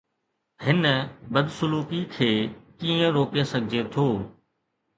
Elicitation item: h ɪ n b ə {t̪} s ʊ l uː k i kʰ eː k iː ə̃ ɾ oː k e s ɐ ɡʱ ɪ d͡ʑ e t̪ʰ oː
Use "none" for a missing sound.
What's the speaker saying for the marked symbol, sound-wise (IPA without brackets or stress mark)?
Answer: d̪